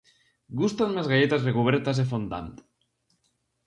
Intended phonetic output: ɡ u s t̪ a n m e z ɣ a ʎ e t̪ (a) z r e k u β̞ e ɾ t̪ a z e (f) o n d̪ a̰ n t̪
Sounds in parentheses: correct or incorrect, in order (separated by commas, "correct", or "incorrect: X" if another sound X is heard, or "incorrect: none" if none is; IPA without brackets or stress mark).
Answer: correct, correct